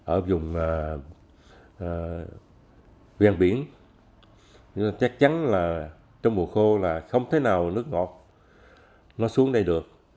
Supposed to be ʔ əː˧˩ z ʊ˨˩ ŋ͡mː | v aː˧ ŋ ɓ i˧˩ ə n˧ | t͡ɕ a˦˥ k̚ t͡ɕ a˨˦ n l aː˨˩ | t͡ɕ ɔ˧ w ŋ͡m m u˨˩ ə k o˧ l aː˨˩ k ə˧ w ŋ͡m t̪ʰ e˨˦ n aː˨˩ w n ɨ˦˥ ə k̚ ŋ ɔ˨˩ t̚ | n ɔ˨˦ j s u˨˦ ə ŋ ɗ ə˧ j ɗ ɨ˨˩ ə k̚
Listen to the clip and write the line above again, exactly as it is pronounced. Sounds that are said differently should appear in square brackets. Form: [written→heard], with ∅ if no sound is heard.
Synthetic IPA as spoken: ʔ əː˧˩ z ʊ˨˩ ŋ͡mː | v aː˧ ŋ ɓ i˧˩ ə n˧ | t͡ɕ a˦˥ k̚ t͡ɕ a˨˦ n l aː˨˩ | t͡ɕ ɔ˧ w ŋ͡m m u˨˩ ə [k→x] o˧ l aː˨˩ [k→x] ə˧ w ŋ͡m t̪ʰ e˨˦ n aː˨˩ w n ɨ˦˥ ə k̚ ŋ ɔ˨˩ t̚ | n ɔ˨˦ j s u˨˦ ə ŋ ɗ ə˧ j ɗ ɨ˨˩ ə k̚